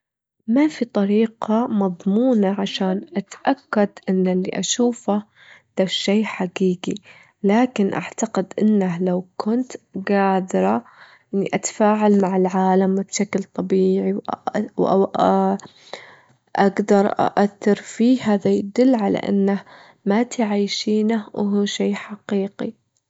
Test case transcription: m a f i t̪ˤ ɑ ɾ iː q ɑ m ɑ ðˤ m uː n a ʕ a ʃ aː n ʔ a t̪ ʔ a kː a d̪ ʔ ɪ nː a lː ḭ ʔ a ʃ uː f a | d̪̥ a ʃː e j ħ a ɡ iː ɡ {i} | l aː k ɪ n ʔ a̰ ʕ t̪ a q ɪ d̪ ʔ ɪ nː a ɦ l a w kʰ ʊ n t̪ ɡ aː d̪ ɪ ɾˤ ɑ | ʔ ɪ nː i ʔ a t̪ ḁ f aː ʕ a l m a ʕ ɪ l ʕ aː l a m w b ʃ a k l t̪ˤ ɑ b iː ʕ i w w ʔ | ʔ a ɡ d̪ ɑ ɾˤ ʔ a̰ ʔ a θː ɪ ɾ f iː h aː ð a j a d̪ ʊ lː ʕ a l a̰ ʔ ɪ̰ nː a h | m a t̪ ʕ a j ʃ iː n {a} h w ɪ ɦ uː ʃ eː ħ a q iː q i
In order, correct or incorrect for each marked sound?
correct, correct

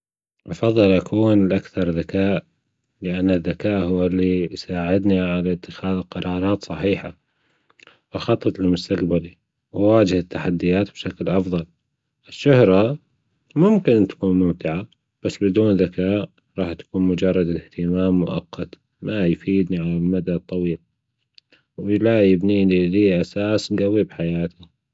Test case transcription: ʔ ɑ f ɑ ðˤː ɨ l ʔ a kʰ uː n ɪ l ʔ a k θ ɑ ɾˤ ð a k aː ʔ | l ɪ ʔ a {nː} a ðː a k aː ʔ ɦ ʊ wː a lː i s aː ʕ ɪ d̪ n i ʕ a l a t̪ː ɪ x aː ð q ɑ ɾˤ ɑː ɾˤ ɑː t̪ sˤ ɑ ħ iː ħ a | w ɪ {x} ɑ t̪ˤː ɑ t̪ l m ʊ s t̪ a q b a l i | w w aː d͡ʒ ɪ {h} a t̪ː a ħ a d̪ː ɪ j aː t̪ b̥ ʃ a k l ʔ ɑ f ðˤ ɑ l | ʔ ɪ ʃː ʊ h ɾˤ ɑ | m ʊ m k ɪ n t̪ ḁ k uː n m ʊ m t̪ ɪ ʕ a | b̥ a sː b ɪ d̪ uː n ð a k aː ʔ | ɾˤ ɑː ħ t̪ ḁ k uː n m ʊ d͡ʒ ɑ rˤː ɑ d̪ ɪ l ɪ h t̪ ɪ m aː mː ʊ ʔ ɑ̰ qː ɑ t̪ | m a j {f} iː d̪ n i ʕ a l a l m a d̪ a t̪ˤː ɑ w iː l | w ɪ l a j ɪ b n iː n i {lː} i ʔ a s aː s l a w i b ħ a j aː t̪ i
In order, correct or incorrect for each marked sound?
correct, correct, correct, correct, incorrect: l

